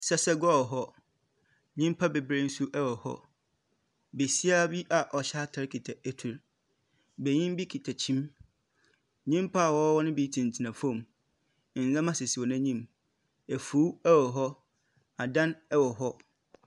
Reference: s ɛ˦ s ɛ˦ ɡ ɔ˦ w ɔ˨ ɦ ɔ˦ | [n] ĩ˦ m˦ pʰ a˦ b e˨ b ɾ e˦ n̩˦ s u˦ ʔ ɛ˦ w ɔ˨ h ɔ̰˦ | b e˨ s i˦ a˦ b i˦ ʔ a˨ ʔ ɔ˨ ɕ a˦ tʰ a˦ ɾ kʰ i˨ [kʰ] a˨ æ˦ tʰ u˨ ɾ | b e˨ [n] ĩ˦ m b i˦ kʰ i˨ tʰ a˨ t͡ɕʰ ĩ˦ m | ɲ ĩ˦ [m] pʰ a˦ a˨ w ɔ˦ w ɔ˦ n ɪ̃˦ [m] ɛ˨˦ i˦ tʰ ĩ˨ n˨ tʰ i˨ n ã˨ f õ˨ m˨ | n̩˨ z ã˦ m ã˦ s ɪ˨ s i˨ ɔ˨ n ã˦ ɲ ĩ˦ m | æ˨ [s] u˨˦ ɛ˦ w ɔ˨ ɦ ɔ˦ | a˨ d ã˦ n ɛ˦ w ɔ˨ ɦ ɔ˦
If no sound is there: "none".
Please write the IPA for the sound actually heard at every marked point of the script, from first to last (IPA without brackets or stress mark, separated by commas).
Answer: ɲ, tʰ, ɲ, m, b, f